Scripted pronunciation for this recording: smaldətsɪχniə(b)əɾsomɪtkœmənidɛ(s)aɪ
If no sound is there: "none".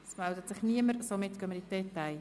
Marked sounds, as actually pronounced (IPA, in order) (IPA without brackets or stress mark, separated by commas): m, t